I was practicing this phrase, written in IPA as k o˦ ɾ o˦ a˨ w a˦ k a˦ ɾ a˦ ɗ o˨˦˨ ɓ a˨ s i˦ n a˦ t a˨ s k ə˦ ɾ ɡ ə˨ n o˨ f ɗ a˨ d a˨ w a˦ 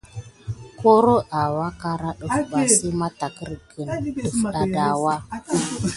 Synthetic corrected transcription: k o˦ ɾ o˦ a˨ w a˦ k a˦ ɾ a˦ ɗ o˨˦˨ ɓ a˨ s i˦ m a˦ t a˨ k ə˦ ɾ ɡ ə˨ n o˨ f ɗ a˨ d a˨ w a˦